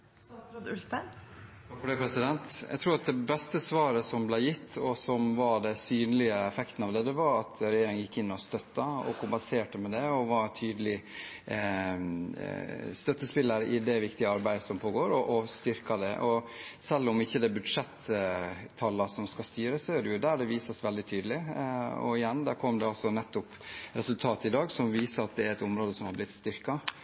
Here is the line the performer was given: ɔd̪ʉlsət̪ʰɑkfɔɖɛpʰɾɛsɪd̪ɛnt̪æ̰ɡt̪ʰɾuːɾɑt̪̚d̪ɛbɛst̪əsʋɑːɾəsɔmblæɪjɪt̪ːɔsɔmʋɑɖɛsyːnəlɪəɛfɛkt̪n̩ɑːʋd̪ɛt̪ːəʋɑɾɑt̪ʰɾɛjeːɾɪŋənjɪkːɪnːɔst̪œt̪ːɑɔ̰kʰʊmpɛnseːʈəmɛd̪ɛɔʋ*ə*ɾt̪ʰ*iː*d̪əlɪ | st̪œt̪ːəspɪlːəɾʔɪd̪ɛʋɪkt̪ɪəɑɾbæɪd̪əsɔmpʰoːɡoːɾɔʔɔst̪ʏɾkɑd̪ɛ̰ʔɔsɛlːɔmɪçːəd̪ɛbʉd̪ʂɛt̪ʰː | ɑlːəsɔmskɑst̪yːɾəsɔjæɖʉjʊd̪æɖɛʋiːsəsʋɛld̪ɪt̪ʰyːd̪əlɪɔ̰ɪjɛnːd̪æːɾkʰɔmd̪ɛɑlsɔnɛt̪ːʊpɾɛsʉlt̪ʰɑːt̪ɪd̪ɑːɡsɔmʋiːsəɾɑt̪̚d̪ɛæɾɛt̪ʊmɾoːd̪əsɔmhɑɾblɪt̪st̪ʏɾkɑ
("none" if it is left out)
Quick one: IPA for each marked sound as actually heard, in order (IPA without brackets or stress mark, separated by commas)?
ɑ, yː